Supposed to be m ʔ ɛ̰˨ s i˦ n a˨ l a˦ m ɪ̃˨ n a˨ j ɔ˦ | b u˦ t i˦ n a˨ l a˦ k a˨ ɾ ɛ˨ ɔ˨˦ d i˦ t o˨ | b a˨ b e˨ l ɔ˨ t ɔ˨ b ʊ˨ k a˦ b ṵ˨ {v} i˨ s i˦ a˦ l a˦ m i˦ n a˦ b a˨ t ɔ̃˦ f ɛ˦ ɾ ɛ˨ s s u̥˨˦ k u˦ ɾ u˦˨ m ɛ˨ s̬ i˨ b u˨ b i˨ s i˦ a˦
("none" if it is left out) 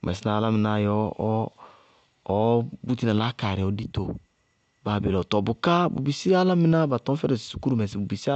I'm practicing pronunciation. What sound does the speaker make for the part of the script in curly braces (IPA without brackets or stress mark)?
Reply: b